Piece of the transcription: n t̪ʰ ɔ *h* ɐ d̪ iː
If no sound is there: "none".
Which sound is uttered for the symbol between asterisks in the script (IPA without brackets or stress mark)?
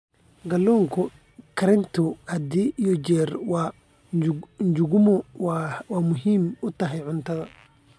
h